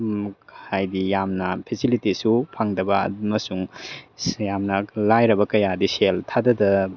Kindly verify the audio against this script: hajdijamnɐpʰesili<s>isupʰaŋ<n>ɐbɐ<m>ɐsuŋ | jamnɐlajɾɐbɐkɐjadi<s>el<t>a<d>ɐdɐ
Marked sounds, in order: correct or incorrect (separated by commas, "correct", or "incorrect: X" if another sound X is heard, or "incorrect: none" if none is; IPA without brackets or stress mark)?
incorrect: t, incorrect: d, correct, correct, incorrect: tʰ, correct